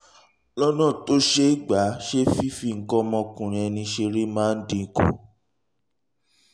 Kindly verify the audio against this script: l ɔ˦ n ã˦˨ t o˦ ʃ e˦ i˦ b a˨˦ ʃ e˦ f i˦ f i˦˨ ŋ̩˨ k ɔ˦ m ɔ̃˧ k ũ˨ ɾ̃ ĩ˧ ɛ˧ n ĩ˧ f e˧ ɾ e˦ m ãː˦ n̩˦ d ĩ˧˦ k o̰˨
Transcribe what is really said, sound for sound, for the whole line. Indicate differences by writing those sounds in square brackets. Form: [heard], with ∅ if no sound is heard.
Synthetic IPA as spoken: l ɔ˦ n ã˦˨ t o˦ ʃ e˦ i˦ [ɡ͡b] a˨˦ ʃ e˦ f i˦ f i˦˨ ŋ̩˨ k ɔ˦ m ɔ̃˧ k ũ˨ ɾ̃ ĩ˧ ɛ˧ n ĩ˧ [ʃ] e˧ ɾ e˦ m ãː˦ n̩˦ d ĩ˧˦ k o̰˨

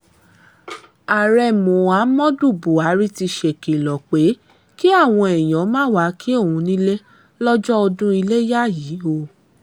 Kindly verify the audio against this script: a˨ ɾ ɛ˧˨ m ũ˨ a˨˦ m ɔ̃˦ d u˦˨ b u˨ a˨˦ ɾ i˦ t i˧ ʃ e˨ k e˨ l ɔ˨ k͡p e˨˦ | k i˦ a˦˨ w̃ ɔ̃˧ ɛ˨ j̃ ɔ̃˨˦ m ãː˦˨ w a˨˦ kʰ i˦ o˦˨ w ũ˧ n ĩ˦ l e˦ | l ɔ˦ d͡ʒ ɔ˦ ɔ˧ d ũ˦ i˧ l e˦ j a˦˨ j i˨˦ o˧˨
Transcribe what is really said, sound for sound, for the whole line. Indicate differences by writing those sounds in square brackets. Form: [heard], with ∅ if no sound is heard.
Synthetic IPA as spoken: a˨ ɾ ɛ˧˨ m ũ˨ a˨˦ m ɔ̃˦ d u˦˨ b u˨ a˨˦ ɾ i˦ t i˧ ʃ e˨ k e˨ l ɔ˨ k͡p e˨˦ | k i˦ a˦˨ w̃ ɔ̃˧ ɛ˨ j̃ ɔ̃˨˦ m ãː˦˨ w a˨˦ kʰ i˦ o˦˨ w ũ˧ n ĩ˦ l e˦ | l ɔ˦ d͡ʒ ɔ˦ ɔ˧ d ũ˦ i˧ l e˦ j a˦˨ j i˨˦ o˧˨

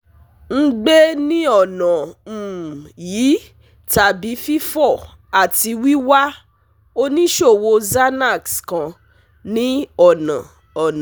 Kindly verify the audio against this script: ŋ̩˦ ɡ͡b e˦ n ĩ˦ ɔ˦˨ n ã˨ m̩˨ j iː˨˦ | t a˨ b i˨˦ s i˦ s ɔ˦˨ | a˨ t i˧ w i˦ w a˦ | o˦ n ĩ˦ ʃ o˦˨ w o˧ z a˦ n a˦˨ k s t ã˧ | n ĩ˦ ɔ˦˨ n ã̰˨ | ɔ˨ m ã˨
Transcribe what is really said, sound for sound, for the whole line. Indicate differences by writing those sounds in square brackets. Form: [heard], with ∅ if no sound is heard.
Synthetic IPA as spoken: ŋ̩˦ ɡ͡b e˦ n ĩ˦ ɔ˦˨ n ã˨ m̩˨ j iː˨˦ | t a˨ b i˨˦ [f] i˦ [f] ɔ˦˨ | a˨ t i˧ w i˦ w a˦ | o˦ n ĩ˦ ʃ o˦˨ w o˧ z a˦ n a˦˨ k s [k] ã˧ | n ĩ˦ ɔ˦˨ n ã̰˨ | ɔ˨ [n] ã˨

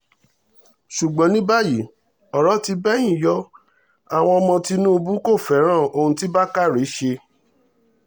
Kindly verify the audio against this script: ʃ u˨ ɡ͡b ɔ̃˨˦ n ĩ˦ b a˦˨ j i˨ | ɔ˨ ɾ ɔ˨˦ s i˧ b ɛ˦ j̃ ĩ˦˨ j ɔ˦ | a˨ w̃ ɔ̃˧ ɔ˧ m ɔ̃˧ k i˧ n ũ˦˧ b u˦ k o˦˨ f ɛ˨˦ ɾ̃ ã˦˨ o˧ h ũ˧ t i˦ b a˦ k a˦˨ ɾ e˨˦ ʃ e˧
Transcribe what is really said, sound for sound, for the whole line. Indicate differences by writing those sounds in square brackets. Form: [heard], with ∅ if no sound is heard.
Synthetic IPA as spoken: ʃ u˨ ɡ͡b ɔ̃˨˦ n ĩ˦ b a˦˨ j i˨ | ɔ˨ ɾ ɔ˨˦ [t] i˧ b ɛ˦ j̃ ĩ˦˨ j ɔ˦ | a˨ w̃ ɔ̃˧ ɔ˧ m ɔ̃˧ [t] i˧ n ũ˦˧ b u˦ k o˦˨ f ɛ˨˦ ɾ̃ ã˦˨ o˧ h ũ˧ t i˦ b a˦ k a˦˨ ɾ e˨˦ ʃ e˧

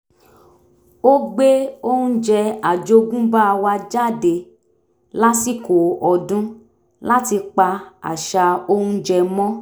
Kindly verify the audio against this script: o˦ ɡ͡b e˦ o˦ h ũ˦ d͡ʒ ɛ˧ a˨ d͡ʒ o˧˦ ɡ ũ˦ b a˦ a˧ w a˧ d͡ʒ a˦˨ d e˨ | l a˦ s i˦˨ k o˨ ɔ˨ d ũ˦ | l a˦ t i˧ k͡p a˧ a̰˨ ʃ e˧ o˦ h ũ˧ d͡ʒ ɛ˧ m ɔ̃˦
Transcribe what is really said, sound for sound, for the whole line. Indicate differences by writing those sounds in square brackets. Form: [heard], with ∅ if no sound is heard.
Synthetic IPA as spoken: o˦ ɡ͡b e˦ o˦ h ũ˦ d͡ʒ ɛ˧ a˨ d͡ʒ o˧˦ ɡ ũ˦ b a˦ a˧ w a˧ d͡ʒ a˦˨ d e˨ | l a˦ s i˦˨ k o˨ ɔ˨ d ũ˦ | l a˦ t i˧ k͡p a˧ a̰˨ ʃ [a˧] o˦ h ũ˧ d͡ʒ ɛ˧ m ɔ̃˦

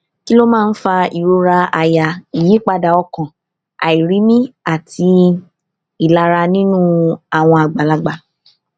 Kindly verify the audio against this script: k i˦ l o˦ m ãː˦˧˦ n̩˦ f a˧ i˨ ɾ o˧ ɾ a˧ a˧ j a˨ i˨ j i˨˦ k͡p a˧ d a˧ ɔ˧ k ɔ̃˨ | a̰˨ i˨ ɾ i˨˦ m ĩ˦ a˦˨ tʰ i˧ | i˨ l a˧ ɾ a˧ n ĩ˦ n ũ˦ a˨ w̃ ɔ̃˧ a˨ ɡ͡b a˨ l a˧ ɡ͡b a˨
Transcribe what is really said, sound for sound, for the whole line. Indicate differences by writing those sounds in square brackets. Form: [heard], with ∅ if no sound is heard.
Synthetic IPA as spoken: k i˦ l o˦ m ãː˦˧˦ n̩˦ f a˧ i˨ ɾ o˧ ɾ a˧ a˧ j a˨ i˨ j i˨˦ k͡p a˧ d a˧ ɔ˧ k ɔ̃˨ | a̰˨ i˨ ɾ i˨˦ m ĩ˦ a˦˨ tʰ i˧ | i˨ l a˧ ɾ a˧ n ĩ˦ n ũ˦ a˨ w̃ ɔ̃˧ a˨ ɡ͡b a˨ l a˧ ɡ͡b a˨

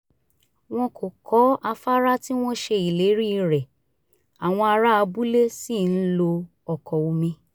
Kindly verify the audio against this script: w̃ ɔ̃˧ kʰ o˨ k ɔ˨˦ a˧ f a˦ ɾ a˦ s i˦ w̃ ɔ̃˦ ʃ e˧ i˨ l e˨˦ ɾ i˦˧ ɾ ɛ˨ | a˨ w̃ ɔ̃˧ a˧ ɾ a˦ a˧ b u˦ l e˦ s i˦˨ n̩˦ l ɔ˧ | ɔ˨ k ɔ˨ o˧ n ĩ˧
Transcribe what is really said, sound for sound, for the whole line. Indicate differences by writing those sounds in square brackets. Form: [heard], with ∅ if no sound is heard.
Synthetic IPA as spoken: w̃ ɔ̃˧ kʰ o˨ k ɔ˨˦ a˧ f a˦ ɾ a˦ [t] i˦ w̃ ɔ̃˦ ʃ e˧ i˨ l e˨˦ ɾ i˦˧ ɾ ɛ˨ | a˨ w̃ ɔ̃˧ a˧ ɾ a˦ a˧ b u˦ l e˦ s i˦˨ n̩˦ l [o˧] | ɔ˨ k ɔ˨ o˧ [m] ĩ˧

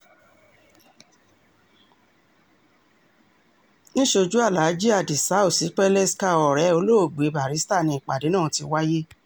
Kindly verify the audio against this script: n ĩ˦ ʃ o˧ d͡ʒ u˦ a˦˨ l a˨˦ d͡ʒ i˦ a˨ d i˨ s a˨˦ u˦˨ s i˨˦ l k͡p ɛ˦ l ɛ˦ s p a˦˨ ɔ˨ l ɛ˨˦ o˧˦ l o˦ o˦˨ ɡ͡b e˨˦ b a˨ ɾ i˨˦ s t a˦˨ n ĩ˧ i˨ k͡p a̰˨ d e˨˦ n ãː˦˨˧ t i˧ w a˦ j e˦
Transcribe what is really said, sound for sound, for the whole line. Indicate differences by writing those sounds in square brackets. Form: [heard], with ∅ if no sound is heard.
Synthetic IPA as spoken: n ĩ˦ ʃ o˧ d͡ʒ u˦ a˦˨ l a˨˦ d͡ʒ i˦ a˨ d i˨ s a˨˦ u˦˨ s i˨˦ [∅] k͡p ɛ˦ l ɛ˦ s [k] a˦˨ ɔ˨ [ɾ] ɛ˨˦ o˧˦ l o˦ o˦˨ ɡ͡b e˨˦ b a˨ ɾ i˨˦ s t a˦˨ n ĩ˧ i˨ k͡p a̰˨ d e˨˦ n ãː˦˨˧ t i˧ w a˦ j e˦

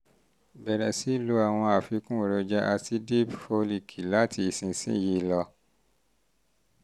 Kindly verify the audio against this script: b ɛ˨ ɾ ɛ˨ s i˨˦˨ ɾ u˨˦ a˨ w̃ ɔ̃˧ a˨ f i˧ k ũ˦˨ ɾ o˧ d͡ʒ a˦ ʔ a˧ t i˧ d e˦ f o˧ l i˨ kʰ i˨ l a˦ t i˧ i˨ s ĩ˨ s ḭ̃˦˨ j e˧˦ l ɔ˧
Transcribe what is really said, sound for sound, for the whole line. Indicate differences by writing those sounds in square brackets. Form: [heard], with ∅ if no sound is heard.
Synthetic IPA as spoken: b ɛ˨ ɾ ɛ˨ s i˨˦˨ [l] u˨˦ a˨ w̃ ɔ̃˧ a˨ f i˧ k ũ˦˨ ɾ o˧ d͡ʒ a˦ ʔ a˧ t i˧ d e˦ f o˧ l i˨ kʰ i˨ l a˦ t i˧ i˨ s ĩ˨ s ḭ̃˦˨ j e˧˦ l ɔ˧

